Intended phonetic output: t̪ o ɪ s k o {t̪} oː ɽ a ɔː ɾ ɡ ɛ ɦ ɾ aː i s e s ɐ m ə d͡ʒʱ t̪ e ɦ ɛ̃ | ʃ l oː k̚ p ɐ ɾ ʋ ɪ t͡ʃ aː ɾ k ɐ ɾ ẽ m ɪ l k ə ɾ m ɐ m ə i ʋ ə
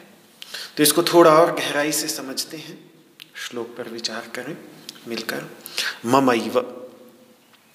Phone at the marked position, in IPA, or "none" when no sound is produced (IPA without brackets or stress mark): t̪ʰ